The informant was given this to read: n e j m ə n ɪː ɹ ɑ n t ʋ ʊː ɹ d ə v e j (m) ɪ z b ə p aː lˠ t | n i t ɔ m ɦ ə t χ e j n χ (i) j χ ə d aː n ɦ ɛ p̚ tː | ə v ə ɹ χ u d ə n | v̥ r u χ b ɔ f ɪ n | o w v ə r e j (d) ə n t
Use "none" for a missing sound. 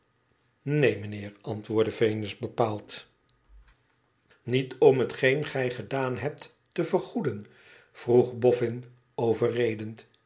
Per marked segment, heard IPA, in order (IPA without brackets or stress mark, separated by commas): n, ɛ, d